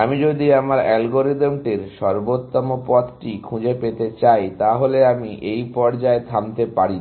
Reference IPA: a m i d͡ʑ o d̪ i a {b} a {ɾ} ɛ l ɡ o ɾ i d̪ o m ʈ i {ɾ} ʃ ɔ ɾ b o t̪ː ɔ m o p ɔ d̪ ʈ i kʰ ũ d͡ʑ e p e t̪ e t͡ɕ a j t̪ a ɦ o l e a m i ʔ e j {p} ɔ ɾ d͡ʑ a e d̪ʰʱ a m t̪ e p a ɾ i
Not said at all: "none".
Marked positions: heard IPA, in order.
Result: m, ɾ, ɾ, p

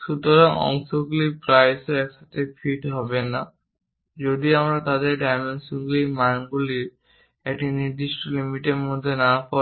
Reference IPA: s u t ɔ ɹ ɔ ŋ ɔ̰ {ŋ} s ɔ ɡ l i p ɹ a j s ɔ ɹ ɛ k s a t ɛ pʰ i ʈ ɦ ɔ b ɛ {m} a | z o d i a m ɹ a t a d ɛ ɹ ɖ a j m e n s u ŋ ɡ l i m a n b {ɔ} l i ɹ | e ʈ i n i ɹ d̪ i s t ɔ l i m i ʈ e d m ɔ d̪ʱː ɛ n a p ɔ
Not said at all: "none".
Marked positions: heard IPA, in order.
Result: ŋ, n, u

